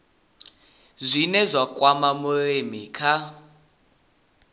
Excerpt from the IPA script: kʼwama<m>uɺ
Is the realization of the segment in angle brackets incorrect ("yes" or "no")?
no